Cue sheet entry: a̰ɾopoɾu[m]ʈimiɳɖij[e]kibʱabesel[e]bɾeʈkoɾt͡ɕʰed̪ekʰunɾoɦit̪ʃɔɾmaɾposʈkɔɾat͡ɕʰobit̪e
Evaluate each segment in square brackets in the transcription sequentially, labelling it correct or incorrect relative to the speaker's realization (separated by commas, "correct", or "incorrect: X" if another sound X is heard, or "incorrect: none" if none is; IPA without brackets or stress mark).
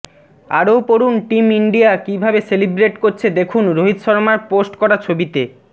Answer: incorrect: n, incorrect: a, incorrect: i